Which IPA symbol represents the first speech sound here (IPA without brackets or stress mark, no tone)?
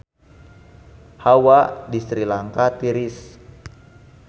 h